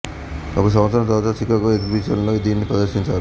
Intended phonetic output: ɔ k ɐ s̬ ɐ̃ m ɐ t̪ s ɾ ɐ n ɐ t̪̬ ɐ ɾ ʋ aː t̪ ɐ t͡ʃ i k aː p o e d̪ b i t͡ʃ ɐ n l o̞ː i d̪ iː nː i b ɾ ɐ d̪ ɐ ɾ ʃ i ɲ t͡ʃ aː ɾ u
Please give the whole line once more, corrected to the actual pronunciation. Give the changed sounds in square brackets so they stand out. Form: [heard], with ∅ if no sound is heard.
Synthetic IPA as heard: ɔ k ɐ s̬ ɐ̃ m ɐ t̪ s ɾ ɐ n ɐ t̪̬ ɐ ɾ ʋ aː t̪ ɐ t͡ʃ i k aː [k] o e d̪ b i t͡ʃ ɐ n l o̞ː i d̪ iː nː i [p] ɾ ɐ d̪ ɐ ɾ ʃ i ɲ t͡ʃ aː ɾ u